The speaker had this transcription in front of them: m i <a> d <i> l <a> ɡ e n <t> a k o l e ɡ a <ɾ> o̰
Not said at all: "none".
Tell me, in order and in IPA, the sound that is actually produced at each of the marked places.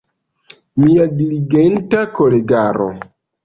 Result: a, i, i, t, ɾ

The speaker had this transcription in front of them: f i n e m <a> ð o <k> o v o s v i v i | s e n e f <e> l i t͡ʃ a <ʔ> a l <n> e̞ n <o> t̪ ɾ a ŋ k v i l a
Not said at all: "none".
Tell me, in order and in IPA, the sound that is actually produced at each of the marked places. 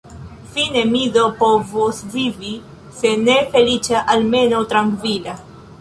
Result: i, p, e, ʔ, m, o

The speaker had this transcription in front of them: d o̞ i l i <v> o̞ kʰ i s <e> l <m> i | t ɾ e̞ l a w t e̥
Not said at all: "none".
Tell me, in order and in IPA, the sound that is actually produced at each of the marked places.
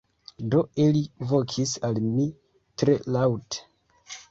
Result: v, a, m

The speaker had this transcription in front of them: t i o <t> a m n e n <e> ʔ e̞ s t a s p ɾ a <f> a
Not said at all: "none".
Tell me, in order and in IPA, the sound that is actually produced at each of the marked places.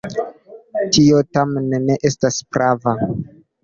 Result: t, e, v

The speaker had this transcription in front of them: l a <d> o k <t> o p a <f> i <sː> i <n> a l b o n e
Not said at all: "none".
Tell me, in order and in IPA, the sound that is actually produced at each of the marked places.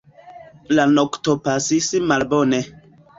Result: n, t, s, s, m

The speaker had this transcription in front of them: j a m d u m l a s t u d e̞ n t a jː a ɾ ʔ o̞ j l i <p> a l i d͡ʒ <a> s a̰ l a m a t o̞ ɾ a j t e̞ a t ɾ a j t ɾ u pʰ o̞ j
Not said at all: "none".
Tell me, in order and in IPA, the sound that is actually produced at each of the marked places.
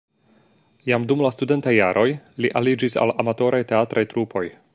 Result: ʔ, i

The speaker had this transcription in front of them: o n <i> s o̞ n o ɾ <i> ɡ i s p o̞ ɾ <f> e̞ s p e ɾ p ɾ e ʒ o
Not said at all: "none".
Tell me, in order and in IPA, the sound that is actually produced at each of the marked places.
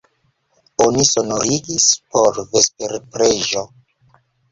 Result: i, i, v

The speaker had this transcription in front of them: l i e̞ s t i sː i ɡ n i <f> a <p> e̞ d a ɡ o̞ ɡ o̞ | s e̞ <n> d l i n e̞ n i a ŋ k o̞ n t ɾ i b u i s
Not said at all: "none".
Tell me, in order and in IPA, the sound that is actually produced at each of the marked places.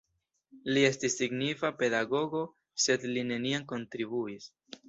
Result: f, p, none

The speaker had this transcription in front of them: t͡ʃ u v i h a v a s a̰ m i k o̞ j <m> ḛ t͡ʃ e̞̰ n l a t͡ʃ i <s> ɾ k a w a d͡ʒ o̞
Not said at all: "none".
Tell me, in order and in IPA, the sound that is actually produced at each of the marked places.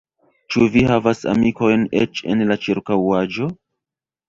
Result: n, none

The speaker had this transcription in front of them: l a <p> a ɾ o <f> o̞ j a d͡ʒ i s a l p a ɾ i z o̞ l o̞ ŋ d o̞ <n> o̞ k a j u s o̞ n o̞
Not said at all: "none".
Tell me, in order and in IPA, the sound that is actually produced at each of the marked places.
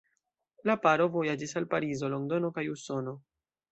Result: p, v, n

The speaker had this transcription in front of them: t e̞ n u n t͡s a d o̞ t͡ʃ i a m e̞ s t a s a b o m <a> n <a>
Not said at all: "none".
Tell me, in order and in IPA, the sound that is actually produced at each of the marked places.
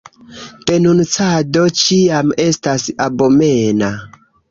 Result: e, a

